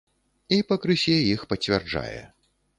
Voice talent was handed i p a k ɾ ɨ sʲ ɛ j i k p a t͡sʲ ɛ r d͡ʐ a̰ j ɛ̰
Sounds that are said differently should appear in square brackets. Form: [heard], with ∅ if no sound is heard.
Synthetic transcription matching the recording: i p [ɐ] k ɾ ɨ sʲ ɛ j i [x] p [ɐ] t͡sʲ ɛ r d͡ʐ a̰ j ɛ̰